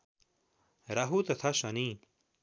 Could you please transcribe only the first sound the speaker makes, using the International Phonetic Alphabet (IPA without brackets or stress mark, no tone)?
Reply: ɾ